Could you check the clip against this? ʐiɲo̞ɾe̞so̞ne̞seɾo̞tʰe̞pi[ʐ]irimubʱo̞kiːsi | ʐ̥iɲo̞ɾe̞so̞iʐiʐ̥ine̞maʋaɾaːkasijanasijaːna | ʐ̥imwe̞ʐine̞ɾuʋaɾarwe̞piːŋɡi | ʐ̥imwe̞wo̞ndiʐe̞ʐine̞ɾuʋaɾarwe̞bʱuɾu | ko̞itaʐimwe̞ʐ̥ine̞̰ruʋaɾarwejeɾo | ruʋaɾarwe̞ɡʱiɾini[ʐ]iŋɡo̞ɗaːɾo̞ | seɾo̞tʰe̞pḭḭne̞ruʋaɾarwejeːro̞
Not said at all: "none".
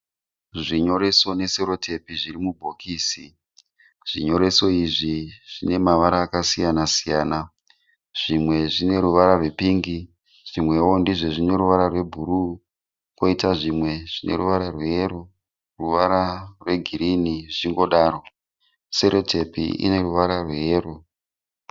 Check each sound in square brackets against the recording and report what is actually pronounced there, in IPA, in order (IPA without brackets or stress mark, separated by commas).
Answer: ʐ, ʐ